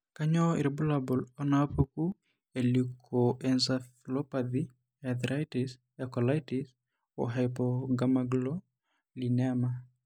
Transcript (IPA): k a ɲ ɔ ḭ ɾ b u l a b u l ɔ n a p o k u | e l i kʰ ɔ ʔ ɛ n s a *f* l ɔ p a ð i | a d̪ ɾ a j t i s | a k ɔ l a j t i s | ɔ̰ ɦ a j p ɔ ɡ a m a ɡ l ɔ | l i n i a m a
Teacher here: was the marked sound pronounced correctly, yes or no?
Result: yes